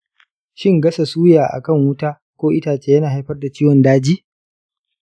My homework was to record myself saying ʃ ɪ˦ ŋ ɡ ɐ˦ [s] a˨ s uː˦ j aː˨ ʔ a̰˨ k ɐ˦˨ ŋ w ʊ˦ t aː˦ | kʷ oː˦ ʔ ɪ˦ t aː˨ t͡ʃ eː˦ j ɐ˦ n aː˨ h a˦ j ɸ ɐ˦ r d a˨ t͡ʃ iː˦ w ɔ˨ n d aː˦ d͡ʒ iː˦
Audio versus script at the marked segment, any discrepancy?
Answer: no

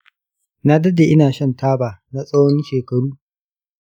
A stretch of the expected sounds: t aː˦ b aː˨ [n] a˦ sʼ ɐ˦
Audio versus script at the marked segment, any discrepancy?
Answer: no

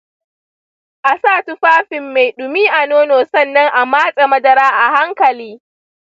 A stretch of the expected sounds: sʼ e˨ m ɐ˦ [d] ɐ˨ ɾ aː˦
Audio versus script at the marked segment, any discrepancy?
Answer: no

